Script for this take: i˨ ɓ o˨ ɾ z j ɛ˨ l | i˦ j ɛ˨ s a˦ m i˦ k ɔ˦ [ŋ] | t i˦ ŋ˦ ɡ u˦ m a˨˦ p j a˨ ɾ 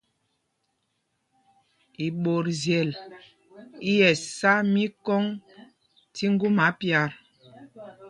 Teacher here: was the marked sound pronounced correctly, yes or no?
yes